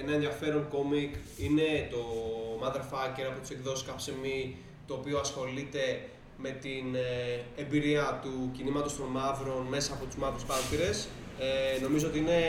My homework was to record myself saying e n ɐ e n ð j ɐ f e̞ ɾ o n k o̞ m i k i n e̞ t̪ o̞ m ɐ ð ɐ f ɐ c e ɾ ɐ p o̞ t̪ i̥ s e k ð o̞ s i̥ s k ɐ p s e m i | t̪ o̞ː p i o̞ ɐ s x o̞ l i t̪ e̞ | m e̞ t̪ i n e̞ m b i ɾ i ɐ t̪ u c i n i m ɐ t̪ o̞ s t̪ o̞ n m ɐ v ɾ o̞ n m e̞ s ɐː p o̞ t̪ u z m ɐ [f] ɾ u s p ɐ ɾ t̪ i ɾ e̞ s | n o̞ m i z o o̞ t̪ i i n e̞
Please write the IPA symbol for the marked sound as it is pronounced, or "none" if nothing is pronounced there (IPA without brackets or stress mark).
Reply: v